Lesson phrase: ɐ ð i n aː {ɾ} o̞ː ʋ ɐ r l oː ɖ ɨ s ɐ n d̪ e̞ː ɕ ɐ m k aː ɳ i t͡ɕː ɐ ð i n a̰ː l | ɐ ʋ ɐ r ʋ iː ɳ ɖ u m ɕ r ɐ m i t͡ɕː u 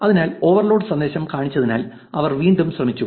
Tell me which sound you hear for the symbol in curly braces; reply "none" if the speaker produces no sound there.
l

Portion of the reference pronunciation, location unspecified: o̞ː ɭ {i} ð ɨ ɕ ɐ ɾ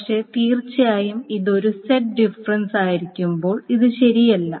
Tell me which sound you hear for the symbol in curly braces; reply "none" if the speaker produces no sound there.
i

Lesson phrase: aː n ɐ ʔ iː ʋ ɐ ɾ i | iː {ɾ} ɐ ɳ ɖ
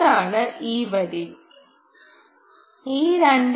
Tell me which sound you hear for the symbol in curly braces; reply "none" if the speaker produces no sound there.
ɾ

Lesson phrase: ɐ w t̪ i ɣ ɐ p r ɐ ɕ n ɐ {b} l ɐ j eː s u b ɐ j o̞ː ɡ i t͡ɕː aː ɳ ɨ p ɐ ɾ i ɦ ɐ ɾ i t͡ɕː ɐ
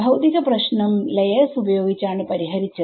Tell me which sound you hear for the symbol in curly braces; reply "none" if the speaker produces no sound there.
m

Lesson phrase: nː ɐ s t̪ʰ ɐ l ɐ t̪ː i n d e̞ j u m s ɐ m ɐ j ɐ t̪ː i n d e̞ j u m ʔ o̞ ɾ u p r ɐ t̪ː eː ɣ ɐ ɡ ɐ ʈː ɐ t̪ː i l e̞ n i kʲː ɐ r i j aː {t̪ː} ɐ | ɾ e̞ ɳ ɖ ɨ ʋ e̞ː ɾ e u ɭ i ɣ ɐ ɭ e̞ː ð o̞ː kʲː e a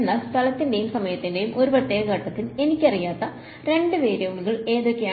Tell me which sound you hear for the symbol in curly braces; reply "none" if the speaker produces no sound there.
t̪ː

